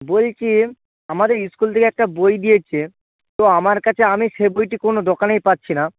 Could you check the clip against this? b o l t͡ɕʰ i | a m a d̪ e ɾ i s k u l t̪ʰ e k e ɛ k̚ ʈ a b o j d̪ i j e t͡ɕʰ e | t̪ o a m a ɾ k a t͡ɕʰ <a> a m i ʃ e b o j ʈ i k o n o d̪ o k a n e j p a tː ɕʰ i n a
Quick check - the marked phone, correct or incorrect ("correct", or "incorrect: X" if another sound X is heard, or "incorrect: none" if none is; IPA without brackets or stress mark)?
incorrect: e